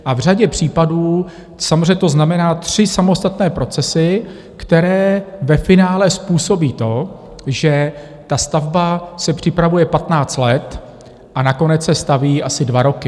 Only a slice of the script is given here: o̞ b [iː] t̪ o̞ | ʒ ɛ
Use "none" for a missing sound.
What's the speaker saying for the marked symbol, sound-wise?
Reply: iː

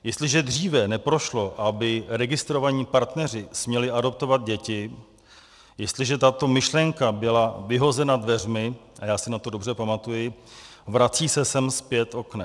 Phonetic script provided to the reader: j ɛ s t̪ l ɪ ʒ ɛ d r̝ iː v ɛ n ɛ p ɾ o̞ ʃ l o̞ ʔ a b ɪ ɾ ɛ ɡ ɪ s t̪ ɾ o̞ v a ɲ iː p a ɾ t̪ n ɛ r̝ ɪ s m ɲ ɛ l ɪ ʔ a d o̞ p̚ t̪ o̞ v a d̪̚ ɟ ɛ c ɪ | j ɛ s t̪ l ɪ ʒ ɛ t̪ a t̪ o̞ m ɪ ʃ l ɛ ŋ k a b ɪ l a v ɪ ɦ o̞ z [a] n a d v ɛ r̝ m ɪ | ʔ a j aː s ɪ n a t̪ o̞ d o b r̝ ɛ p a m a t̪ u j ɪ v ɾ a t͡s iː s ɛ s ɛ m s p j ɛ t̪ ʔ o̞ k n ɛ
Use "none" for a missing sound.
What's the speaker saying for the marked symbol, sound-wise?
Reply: ɛ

